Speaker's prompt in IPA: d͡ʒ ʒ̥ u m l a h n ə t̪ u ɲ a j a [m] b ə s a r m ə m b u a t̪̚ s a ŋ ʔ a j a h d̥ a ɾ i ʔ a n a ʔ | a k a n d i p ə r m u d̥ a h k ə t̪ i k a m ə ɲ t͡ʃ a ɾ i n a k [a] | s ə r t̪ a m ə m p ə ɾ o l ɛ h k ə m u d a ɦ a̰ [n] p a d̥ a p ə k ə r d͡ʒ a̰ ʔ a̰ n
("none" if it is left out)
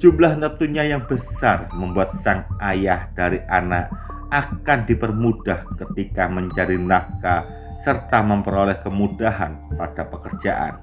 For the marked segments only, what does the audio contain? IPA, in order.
ŋ, a, n

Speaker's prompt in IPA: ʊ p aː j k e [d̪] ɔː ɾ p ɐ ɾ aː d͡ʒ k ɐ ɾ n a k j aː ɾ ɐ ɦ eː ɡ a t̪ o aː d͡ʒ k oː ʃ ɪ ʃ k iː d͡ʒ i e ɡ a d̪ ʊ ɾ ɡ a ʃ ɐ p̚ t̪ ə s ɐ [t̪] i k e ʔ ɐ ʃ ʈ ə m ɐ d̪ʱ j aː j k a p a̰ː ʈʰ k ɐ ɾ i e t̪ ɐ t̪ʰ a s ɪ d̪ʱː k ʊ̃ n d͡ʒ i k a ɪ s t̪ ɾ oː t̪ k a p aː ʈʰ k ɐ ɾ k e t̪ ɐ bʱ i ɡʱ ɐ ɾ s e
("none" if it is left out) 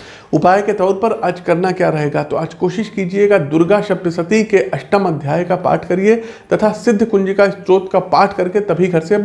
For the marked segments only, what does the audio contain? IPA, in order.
t̪, t̪

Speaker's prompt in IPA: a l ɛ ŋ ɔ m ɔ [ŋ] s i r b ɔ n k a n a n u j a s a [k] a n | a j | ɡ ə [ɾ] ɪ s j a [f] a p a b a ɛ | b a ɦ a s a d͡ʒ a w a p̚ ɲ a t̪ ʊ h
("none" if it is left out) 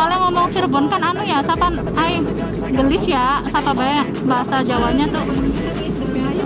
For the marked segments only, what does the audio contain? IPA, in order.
ŋ, p, l, s

